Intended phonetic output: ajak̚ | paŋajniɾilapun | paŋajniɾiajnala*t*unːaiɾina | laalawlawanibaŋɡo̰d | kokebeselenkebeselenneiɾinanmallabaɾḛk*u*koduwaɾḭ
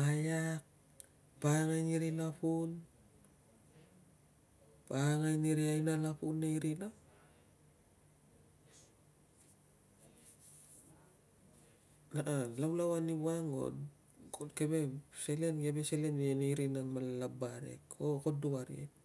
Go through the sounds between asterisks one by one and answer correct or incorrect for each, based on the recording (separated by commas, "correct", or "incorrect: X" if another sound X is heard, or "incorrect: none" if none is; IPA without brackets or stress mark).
incorrect: p, incorrect: o